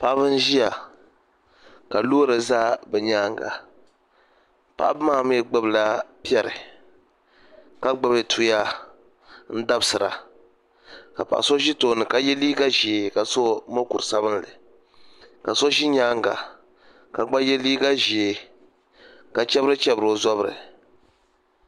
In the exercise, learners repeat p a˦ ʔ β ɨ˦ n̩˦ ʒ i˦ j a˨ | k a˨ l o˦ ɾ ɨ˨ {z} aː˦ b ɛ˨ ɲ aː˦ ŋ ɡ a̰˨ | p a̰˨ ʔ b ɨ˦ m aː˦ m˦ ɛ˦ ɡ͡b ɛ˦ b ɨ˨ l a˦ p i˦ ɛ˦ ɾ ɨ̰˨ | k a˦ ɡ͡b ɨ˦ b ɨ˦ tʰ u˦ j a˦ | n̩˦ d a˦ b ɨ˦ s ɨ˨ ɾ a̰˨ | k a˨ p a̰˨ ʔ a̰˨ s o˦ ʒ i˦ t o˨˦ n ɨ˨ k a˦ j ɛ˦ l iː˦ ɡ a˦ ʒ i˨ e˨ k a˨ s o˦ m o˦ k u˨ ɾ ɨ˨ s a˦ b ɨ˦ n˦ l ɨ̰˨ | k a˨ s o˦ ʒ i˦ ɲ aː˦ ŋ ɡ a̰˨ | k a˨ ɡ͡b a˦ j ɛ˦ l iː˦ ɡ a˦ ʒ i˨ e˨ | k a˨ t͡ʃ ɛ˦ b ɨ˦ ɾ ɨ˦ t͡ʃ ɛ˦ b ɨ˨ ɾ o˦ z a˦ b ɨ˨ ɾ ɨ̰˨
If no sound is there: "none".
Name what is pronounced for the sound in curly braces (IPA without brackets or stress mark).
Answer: z